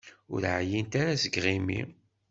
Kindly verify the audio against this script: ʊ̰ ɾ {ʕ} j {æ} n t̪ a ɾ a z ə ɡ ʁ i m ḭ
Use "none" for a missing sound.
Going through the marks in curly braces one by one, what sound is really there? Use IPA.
ʕ, i

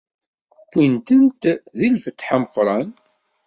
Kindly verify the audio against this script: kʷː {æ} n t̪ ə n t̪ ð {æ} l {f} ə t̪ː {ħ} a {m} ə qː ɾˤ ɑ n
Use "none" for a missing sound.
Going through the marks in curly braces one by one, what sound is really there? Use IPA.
i, i, f, ħ, m

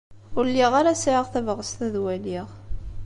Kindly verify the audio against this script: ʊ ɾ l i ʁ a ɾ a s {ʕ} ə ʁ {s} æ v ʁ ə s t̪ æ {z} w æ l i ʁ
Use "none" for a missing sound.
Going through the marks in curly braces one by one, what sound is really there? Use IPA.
ʕ, θ, ð

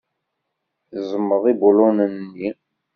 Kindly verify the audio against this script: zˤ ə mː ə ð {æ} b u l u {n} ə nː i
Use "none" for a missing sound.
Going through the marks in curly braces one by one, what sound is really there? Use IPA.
i, n

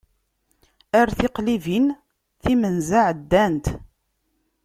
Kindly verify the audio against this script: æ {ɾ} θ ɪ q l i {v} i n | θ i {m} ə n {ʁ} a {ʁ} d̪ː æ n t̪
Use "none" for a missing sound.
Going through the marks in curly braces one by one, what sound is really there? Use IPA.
ɾ, v, m, z, ʕ

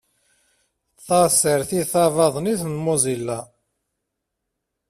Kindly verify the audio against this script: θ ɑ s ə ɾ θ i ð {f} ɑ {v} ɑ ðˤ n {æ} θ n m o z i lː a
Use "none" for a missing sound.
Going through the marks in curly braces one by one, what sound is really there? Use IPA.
θ, v, i

